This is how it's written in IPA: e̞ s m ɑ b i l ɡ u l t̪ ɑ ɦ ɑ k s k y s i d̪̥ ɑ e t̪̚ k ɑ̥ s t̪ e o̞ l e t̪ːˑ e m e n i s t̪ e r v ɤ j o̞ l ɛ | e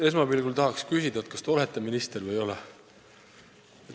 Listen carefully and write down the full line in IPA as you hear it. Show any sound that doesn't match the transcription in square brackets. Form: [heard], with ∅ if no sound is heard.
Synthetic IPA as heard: e̞ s m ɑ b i l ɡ u l t̪ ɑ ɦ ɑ k s k y s i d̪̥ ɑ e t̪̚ k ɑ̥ s t̪ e o̞ l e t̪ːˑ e m [i] n i s t̪ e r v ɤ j o̞ l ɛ | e